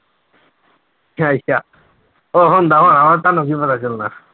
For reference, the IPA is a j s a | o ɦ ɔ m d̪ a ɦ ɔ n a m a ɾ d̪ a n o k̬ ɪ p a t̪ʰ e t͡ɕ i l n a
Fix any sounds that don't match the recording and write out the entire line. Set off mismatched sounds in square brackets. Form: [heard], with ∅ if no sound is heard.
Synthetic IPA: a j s a | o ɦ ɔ [n] d̪ a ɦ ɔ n a m a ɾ [t̪] a n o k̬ [i] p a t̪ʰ [a] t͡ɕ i l n a